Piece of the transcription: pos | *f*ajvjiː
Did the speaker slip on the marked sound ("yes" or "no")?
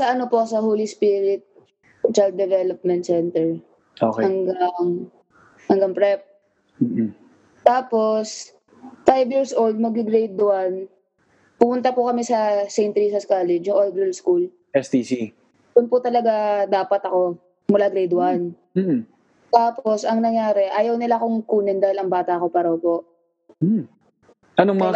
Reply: no